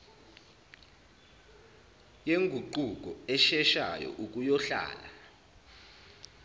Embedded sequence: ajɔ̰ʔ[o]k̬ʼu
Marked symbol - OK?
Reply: no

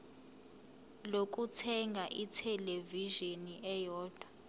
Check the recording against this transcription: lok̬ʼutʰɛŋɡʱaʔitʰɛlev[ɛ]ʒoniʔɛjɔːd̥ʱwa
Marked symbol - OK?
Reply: no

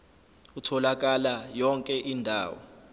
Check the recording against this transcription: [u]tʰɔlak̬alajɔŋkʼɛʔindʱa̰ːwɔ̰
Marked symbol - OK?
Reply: yes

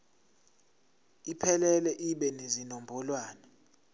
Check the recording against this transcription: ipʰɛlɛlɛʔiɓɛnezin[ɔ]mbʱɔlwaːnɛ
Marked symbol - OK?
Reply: no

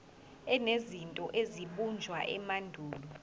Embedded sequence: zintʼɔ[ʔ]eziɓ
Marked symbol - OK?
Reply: yes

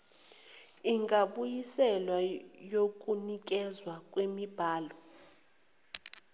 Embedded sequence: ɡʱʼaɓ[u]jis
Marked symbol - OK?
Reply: yes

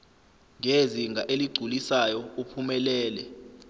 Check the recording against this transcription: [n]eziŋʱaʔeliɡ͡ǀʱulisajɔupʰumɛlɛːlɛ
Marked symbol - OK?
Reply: no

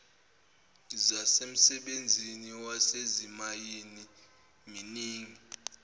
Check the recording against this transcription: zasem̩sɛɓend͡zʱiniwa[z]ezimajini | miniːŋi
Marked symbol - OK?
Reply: no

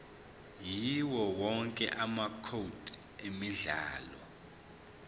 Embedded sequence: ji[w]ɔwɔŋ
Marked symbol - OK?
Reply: yes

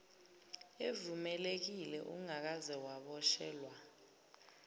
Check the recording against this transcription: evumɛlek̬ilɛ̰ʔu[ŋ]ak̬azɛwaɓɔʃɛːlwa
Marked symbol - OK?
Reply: yes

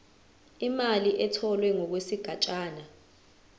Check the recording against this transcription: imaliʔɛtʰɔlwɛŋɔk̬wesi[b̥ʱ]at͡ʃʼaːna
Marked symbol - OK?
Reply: no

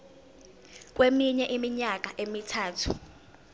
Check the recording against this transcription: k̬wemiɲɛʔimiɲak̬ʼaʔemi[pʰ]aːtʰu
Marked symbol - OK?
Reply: no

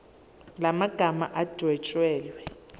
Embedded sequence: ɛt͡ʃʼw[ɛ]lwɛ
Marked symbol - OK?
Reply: no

